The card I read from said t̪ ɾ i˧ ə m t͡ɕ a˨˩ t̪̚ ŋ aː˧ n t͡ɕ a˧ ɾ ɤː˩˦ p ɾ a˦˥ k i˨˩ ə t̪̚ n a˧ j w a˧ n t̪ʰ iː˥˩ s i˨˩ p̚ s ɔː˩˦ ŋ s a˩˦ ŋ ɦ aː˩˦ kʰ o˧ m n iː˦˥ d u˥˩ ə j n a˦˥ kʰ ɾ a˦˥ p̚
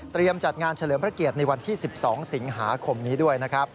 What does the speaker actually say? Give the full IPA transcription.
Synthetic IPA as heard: t̪ ɾ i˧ ə m t͡ɕ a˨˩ t̪̚ ŋ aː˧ n t͡ɕʰ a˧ l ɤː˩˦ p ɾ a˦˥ k i˨˩ ə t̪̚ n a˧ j w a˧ n t̪ʰ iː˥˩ s i˨˩ p̚ s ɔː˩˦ ŋ s i˩˦ ŋ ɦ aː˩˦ kʰ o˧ m n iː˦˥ d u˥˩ ə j n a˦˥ kʰ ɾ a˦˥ p̚